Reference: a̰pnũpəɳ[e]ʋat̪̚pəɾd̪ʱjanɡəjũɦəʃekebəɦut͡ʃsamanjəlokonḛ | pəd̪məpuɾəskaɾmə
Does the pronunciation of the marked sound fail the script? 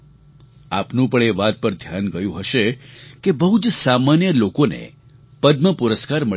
no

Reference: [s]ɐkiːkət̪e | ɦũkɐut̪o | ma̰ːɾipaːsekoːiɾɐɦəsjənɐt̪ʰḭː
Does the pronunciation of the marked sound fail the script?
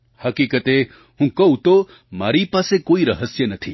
yes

